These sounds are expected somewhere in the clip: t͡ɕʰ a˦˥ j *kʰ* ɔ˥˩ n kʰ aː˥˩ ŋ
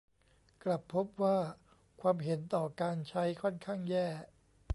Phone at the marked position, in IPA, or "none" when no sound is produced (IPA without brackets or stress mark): kʰ